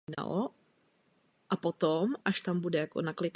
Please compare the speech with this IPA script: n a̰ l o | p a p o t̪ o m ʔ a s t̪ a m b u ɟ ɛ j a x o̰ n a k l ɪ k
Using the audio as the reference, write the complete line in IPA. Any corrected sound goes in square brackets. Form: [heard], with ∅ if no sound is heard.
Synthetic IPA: n a̰ l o | [ʔ] a p o t̪ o m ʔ a [ʃ] t̪ a m b u [d] ɛ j a [k] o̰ n a k l ɪ k